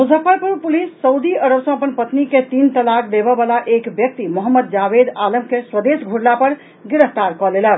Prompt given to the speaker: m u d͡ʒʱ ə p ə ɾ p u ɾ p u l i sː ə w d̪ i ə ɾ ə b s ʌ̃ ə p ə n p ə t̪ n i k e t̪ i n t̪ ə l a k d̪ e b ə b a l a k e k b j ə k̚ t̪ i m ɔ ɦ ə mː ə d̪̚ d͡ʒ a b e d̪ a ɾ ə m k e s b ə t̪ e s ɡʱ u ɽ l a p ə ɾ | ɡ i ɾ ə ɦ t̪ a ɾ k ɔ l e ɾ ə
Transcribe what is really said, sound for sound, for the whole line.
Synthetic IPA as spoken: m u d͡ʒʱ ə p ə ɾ p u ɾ p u l i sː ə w d̪ i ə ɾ ə b s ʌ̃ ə p ə n p ə t̪ n i k e t̪ i n t̪ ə l a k d̪ e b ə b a l a ʔ e k b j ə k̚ t̪ i m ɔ ɦ ə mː ə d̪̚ d͡ʒ a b e d̪ a l ə m k e s w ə d̪ e s ɡʱ u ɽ l a p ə ɾ | ɡ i ɾ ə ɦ t̪ a ɾ k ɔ l e l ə